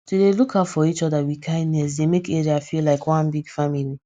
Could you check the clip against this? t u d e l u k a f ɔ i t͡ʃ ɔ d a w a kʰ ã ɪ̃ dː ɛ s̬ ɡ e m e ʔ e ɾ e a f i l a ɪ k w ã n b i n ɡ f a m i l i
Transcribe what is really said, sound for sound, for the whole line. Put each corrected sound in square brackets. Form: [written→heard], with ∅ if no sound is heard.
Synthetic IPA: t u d e l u k a f ɔ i t͡ʃ ɔ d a w [a→i] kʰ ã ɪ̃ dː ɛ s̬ [ɡ→d] e m e [ʔ→k] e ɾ [e→i] a f i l a ɪ k w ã n b i [n→∅] ɡ f a m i l i